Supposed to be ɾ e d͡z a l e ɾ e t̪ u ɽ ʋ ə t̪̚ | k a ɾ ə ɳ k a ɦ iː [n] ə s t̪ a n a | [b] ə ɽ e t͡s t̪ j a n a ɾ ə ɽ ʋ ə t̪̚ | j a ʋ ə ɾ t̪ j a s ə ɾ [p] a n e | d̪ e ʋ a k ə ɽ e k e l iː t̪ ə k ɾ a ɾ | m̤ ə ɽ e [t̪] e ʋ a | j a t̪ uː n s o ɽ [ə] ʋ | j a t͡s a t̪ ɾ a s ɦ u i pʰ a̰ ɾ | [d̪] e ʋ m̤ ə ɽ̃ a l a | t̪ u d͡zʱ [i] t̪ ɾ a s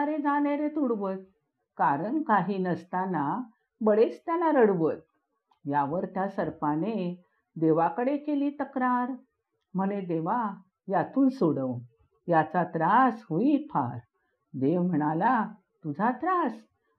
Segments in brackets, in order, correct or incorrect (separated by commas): correct, correct, correct, incorrect, correct, correct, incorrect